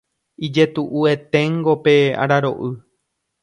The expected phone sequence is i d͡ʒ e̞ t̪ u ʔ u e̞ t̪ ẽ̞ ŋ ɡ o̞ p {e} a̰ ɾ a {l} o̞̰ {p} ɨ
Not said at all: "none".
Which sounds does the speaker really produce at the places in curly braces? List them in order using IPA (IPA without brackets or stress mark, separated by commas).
e, ɾ, ʔ